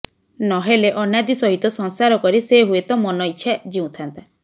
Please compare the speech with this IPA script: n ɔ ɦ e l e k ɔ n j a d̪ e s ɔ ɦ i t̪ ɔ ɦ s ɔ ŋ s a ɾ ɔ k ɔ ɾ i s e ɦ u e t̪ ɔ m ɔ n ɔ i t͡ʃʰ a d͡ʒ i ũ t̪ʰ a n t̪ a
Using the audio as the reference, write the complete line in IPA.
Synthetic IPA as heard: n ɔ ɦ e l e ʔ ɔ n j a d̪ i s ɔ ɦ i t̪ ɔ s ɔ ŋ s a ɾ ɔ k ɔ ɾ i s e ɦ u e t̪ ɔ m ɔ n ɔ i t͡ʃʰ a d͡ʒ i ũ t̪ʰ a n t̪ a